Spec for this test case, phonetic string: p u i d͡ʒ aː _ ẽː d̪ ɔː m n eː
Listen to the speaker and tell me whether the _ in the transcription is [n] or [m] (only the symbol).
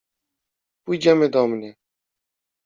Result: m